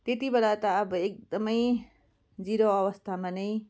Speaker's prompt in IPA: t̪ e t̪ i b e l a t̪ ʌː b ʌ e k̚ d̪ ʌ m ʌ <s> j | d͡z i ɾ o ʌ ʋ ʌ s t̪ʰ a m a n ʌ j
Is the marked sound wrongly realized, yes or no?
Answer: yes